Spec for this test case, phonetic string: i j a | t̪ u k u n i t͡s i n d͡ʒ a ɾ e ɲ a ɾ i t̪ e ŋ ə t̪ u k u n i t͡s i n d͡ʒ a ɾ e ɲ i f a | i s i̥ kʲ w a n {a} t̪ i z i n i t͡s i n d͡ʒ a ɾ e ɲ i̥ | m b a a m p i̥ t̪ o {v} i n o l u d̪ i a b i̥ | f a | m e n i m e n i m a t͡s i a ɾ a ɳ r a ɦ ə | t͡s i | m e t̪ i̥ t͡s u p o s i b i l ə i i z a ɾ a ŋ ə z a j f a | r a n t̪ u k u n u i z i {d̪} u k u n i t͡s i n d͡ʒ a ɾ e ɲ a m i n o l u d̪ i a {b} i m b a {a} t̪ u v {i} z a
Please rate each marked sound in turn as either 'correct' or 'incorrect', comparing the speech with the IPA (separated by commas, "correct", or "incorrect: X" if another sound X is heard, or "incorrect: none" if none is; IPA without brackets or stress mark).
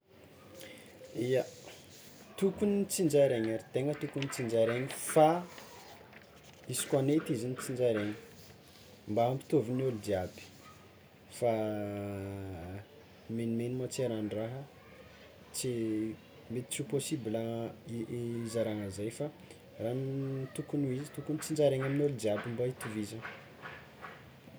incorrect: e, correct, incorrect: t̪, correct, incorrect: i, correct